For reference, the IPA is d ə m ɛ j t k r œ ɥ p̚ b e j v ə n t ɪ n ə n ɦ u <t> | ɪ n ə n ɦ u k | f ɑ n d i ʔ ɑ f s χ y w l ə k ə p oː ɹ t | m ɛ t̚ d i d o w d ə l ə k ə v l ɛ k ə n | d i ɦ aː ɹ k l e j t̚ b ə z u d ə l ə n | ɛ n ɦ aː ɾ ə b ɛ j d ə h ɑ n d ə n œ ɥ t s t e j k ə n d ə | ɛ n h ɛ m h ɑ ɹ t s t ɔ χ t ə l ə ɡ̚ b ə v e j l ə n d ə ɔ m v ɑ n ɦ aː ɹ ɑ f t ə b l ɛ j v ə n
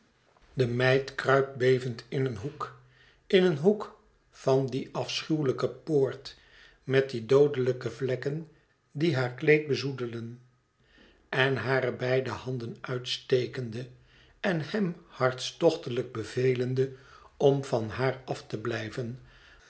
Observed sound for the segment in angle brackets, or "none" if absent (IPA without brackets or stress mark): k